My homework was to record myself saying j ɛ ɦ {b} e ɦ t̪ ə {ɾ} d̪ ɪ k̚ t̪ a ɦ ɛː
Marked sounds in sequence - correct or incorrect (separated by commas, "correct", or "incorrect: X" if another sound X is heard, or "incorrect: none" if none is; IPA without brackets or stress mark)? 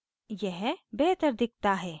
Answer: correct, correct